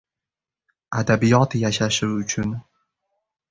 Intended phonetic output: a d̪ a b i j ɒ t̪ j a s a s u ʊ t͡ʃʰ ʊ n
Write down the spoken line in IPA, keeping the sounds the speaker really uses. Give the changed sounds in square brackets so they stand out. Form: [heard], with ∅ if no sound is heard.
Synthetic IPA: a d̪ a b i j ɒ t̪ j a [ʃ] a [ʃ] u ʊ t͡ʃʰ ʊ n